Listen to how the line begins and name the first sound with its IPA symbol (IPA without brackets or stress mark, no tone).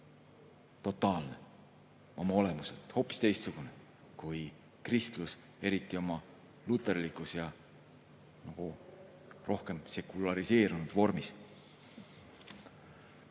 t̪